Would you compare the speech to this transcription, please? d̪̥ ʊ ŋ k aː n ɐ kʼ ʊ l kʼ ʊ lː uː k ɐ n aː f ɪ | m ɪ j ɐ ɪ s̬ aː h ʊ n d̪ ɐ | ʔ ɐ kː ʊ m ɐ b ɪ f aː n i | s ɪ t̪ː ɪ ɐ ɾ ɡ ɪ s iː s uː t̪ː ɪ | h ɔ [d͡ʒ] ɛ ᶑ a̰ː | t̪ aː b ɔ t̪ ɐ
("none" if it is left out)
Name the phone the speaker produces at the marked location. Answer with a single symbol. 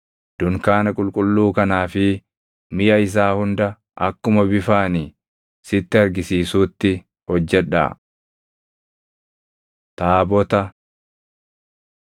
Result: d͡ʒː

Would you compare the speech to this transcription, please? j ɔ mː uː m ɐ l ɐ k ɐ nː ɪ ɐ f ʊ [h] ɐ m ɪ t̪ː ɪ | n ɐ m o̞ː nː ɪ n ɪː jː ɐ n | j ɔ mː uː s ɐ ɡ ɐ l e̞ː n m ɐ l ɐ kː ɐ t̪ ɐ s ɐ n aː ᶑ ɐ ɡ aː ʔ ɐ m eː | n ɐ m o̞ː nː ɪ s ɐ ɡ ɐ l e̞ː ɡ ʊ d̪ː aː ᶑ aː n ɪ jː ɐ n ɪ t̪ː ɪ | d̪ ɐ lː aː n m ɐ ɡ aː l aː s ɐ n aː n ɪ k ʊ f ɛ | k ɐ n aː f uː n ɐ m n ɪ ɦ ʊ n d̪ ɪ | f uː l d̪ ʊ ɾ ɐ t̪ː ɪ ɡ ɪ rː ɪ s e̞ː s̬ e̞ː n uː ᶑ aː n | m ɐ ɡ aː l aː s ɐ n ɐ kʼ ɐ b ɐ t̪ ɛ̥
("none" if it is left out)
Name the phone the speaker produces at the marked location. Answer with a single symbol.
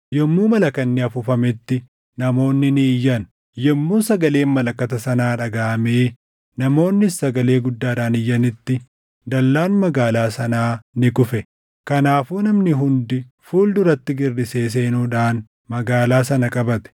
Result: f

